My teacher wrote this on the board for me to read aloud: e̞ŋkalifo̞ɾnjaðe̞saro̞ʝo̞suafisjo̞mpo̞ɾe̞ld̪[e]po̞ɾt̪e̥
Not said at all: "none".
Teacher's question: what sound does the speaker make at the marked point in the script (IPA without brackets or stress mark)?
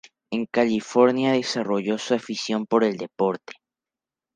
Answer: e